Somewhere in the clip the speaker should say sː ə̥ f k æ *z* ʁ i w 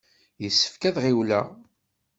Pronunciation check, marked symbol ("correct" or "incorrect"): incorrect